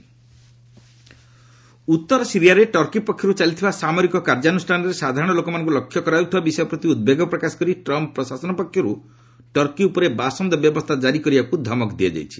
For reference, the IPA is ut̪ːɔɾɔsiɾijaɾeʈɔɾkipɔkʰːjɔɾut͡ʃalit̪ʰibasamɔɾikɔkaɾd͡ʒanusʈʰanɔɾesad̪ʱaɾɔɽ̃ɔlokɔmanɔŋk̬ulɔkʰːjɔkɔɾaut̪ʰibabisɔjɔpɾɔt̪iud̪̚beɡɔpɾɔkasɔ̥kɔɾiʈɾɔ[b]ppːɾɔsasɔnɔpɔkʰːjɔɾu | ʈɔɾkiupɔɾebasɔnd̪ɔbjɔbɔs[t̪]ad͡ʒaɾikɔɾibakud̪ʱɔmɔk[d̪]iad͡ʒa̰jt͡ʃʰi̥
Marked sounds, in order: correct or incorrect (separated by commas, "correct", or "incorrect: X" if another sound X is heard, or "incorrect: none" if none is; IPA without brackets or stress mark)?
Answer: incorrect: m, incorrect: t̪ʰ, correct